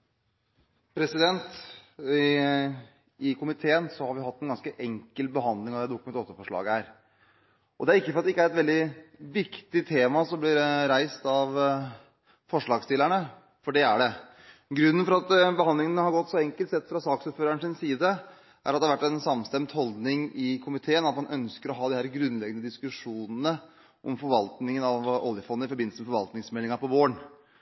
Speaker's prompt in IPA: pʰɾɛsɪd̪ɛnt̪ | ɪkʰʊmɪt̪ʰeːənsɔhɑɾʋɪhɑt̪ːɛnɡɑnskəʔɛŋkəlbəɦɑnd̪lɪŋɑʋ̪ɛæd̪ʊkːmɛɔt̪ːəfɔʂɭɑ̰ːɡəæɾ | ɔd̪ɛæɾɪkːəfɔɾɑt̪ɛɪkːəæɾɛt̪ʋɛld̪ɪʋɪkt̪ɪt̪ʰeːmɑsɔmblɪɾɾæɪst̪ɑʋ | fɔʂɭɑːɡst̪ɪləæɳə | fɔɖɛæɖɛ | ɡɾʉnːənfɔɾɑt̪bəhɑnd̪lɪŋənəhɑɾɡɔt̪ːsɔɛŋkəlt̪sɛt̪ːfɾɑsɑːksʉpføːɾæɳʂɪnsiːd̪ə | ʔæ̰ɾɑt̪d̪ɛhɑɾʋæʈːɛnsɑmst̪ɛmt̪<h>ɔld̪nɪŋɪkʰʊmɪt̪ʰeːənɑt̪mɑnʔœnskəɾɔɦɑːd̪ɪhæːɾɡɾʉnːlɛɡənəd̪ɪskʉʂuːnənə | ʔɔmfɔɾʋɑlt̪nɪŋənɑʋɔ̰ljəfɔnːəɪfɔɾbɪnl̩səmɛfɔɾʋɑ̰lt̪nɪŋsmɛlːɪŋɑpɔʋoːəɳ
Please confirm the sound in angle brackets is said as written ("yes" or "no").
yes